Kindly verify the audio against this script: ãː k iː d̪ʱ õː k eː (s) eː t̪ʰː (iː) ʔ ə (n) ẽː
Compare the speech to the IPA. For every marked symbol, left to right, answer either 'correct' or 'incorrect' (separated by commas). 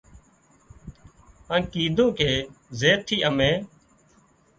incorrect, correct, incorrect